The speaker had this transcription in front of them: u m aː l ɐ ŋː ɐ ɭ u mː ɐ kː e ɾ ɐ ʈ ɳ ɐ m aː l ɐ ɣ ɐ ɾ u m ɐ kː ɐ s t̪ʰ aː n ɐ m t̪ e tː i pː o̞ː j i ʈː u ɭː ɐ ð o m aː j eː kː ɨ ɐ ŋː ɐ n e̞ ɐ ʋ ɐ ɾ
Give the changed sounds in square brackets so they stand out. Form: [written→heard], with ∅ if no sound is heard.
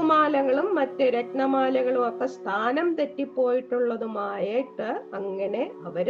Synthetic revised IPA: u m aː l ɐ ŋː ɐ ɭ u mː ɐ [kː→tː] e ɾ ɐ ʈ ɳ ɐ m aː l ɐ ɣ ɐ [ɾ→ɭ] u m ɐ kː ɐ s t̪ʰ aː n ɐ m t̪ e tː i pː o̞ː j i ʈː u ɭː ɐ ð [o→u] m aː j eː [kː→ʈː] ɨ ɐ ŋː ɐ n e̞ ɐ ʋ ɐ ɾ